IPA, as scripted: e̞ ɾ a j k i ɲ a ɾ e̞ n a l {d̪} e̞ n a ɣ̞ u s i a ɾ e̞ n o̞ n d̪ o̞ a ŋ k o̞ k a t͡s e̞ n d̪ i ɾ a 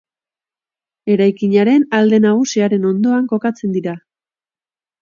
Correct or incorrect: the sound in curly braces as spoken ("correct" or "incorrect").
correct